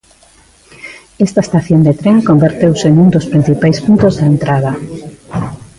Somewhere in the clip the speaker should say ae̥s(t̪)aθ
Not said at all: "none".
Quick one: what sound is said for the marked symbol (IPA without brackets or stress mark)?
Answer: t̪